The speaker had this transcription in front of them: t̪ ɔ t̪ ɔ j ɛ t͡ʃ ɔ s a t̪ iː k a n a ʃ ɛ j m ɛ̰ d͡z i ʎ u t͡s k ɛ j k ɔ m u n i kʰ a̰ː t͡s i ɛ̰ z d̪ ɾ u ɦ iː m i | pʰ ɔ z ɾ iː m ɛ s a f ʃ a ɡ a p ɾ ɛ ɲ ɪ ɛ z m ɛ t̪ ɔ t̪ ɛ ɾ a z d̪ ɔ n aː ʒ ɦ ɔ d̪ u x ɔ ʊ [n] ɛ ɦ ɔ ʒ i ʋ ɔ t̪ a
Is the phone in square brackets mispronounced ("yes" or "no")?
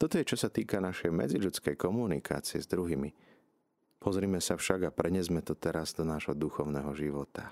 no